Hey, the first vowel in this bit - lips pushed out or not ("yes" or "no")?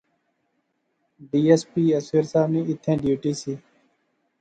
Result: no